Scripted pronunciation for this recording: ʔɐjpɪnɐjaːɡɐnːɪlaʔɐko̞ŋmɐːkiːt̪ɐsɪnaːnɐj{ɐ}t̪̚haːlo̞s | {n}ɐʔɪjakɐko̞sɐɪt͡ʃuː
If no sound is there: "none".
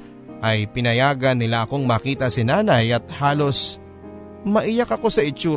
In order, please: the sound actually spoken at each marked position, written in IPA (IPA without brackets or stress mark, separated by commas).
ɐ, m